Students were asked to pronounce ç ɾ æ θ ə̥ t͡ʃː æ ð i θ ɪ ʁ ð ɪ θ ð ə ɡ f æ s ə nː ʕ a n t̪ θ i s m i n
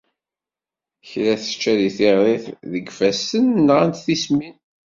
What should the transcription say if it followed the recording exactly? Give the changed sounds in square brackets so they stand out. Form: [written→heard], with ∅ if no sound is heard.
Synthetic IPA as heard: ç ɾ æ θ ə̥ t͡ʃː æ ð i θ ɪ ʁ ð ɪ θ ð ə ɡ f æ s ə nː [ʕ→ʁ] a n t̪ θ i s m i n